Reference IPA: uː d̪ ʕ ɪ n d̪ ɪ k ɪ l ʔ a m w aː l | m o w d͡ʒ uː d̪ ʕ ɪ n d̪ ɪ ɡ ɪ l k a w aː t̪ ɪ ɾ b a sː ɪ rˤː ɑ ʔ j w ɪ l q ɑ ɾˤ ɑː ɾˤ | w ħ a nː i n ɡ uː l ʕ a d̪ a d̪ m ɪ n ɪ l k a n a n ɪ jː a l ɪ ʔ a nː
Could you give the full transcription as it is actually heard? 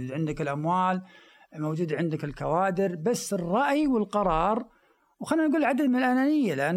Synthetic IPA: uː d̪ ʕ ɪ n d̪ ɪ k ɪ l ʔ a m w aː l | m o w d͡ʒ uː d̪ ʕ ɪ n d̪ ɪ k ɪ l k a w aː d̪ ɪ ɾ b a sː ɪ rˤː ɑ ʔ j w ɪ l q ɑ ɾˤ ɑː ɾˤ | w x a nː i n ɡ uː l ʕ a d̪ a d̪ m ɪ n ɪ l ʔ a n a n ɪ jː a l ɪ ʔ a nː